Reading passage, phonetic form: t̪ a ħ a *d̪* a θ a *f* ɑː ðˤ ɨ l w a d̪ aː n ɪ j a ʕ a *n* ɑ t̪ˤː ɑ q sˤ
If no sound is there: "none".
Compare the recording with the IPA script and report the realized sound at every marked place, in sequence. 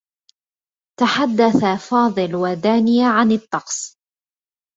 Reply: d̪ː, f, n

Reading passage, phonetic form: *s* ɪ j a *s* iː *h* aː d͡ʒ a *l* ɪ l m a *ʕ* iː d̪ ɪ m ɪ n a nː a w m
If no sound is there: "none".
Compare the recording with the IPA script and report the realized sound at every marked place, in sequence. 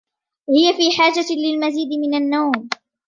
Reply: h, f, ħ, l, z

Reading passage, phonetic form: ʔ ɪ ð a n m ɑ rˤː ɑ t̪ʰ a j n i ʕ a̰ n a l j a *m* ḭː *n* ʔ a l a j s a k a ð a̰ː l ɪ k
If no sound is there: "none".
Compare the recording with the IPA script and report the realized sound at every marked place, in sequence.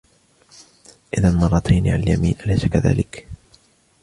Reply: m, n

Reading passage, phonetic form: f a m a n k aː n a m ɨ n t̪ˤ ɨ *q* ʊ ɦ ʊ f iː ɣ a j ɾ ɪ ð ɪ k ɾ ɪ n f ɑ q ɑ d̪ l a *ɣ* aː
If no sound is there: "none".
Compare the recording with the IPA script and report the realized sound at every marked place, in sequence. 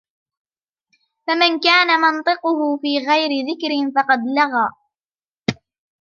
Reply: q, ɣ

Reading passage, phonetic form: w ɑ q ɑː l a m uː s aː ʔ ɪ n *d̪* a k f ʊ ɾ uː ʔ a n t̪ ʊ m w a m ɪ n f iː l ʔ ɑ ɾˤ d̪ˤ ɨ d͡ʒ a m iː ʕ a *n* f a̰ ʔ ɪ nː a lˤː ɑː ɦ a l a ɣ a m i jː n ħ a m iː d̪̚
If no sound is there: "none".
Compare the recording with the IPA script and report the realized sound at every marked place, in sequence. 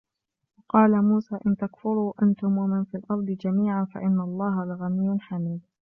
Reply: t̪, n

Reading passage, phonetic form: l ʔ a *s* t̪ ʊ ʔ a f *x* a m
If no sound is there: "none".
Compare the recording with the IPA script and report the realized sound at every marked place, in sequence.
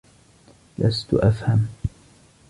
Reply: s, h

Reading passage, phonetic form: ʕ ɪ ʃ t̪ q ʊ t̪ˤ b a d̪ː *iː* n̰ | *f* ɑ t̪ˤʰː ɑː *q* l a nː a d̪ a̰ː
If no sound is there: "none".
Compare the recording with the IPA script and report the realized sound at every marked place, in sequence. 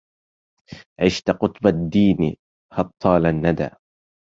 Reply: iː, h, none

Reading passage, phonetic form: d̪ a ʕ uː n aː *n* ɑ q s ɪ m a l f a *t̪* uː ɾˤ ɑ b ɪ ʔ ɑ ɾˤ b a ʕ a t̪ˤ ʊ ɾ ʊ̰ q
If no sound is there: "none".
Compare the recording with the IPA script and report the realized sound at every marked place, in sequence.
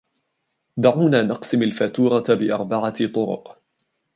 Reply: n, t̪

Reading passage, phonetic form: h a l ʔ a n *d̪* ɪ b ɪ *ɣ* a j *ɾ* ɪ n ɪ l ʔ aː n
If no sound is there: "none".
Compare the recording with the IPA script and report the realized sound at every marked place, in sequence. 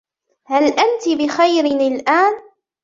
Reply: t̪, x, ɾ

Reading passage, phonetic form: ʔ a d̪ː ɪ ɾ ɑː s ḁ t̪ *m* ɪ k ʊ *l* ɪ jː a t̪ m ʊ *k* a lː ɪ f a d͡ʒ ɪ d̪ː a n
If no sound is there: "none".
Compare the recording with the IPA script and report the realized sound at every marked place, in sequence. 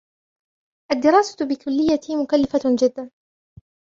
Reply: b, lː, k

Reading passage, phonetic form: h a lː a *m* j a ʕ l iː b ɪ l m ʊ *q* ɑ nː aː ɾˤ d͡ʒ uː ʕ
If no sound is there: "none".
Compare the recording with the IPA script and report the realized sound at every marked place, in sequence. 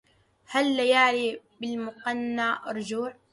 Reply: none, q

